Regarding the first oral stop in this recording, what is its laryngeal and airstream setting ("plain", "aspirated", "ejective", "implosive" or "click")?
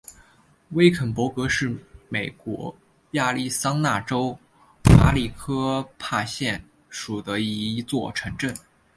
aspirated